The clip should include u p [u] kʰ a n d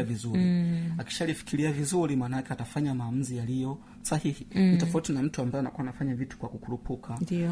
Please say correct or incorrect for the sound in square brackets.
correct